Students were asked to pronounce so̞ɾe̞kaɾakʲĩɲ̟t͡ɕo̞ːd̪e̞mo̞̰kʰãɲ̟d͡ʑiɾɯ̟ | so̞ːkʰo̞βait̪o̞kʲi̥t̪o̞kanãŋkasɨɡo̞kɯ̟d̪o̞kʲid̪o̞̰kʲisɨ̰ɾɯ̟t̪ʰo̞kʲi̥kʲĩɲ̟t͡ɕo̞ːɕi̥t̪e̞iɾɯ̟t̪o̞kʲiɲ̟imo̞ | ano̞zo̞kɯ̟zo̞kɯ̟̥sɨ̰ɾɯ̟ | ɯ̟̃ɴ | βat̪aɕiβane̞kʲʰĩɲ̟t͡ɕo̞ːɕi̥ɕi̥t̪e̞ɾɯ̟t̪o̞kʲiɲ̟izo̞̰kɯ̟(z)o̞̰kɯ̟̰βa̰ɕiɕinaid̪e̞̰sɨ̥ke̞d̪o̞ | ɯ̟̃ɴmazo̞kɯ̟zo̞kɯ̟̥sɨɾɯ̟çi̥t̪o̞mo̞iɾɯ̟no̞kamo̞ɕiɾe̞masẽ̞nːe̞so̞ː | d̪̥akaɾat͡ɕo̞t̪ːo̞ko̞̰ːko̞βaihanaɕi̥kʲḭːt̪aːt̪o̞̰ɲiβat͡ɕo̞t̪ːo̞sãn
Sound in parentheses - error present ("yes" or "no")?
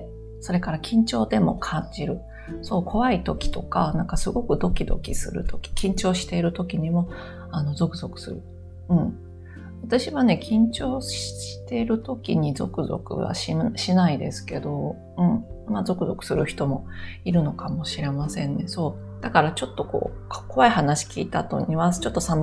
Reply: no